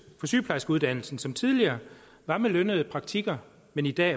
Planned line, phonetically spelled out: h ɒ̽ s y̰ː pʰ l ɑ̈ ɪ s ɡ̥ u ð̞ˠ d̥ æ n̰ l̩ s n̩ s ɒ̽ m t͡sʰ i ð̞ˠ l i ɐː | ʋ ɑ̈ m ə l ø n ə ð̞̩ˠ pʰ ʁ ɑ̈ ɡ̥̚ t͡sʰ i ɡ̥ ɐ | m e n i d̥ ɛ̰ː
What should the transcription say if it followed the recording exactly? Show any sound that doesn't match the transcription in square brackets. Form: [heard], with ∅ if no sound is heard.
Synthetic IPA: [f] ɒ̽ s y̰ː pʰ l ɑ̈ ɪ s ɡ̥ u ð̞ˠ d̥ æ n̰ l̩ s n̩ s ɒ̽ m t͡sʰ i ð̞ˠ l i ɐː | ʋ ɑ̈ m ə l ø n ə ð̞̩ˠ pʰ ʁ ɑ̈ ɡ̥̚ t͡sʰ i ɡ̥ ɐ | m e n i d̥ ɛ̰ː